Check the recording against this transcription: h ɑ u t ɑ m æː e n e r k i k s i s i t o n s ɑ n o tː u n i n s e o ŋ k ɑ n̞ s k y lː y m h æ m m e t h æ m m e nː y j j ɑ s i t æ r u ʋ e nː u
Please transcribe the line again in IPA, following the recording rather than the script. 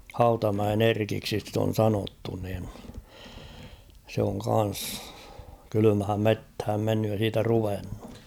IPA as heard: h ɑ u t ɑ m æ e n e r k i k s i s i t o n s ɑ n o tː u n i n s e o ŋ k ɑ n̞ s k y l y m h æ m m e t h æ m m e nː y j j ɑ s iː t æ r u ʋ e nː u

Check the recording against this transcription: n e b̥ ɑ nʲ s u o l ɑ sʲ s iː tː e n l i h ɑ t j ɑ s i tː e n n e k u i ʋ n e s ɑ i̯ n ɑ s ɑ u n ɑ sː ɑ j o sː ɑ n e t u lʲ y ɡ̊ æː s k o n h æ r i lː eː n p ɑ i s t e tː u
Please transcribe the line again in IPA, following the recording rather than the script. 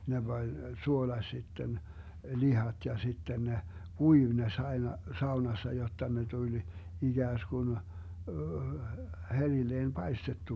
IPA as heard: n e b̥ ɑ nʲ s u o l ɑ sʲ s i tː e n l i h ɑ t j ɑ s i tː e n n e k u i ʋ n e s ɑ i̯ n ɑ s ɑ u n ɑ sː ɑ j o tː ɑ n e t u lʲ i ɡ̊ æː s k u n h e r i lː eː n p ɑ i s t e tː u

